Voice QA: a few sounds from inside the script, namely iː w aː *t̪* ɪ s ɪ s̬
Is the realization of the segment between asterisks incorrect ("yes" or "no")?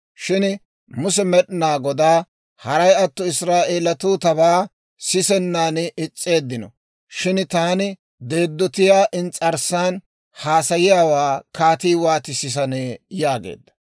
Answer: no